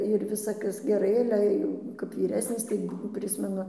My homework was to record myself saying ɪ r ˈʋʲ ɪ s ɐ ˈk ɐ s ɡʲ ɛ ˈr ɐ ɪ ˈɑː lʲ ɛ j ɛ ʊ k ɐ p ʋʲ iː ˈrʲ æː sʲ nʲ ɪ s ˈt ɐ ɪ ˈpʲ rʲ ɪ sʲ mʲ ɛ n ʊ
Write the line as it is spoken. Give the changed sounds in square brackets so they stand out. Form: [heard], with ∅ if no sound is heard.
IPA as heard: ɪ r ˈʋʲ ɪ s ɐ ˈk ɐ s ɡʲ ɛ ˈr ɐ ɪ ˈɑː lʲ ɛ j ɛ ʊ k ɐ p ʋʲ iː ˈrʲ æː sʲ nʲ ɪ s ˈt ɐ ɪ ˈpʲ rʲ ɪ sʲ mʲ ɛ n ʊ